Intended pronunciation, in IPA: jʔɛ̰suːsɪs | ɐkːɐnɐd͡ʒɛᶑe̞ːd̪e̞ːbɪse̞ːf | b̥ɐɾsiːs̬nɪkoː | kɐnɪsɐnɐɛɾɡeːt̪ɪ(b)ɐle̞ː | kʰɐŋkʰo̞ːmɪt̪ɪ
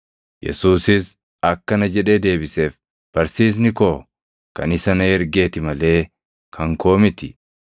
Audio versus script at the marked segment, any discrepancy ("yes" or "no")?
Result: yes